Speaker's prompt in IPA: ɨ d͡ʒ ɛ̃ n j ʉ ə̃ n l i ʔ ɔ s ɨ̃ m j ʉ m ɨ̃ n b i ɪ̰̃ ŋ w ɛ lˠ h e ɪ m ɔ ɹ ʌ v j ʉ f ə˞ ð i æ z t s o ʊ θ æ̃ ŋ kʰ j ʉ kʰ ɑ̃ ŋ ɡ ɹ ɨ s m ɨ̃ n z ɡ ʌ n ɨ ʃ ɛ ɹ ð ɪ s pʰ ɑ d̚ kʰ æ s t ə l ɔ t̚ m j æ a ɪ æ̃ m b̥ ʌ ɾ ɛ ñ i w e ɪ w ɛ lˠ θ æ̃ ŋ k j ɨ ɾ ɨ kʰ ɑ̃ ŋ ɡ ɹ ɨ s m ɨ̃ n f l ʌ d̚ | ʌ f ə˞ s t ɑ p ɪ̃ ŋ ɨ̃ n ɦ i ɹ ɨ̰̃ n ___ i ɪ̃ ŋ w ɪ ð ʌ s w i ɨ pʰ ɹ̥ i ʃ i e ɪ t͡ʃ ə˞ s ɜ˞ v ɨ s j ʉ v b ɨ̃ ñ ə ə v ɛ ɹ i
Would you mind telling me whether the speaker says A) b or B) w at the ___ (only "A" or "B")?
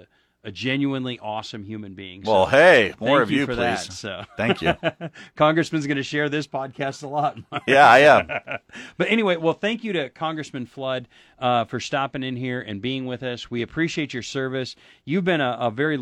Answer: A